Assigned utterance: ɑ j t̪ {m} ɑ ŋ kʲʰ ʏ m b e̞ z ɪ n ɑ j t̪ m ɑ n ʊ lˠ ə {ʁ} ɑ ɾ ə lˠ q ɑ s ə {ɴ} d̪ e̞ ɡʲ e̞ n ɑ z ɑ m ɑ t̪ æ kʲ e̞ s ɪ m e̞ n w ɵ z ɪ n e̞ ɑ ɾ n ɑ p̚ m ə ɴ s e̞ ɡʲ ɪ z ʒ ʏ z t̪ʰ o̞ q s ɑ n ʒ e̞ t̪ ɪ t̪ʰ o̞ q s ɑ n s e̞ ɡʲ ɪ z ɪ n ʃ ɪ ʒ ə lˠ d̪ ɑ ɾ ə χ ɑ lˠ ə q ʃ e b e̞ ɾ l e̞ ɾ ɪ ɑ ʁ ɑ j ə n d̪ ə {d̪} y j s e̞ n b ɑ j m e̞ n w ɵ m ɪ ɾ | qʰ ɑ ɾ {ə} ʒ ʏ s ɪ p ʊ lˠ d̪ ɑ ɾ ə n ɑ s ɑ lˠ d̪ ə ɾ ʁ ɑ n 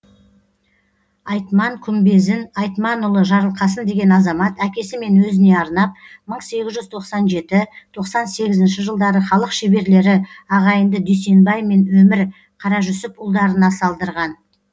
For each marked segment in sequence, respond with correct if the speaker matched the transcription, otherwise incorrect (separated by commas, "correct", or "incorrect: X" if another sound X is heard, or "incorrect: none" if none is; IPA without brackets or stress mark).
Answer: correct, incorrect: ʒ, incorrect: n, correct, incorrect: ɑ